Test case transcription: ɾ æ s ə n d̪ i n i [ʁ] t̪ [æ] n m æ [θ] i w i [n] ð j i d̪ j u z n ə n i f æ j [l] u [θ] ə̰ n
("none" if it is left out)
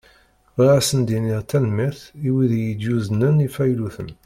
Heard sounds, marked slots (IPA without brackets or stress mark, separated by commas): ʁ, æ, θ, none, l, θ